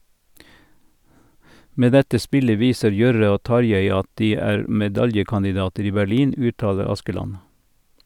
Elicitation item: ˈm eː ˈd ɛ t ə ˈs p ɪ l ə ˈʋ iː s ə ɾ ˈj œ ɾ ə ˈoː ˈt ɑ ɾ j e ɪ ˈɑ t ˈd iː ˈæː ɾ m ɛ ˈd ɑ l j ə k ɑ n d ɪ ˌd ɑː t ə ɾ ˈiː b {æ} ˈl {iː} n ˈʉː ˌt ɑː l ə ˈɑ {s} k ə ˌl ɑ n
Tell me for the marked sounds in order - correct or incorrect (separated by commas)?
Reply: correct, correct, correct